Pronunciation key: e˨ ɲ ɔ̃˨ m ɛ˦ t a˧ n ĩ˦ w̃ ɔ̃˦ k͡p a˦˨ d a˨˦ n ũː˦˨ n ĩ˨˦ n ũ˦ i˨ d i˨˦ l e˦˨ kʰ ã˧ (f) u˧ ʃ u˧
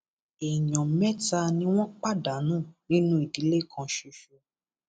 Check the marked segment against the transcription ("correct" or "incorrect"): incorrect